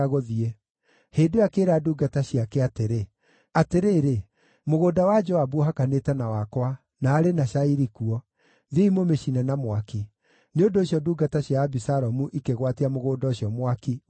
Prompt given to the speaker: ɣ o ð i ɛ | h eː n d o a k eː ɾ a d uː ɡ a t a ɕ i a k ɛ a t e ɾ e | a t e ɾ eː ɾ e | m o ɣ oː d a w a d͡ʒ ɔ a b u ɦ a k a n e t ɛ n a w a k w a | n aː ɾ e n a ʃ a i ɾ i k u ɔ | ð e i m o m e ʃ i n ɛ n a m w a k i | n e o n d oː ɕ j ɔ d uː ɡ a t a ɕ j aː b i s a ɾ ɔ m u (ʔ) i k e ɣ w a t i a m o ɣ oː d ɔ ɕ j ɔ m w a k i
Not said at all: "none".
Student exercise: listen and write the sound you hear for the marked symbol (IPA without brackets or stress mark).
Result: ʔ